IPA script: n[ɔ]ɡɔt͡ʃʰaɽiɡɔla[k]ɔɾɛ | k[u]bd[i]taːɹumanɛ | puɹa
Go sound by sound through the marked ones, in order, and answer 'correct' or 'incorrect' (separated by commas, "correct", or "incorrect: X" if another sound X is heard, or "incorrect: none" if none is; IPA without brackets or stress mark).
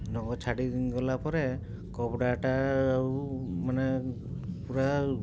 correct, incorrect: p, incorrect: ɔ, incorrect: a